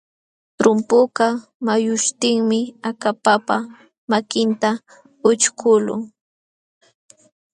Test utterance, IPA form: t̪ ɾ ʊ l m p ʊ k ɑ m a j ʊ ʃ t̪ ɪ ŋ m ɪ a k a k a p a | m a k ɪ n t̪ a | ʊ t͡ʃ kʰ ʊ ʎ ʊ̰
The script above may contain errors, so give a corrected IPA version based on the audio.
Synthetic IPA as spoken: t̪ ɾ ʊ m p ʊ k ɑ m a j ʊ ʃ t̪ ɪ ŋ m ɪ a k a p a p a | m a k ɪ n t̪ a | ʊ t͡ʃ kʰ ʊ l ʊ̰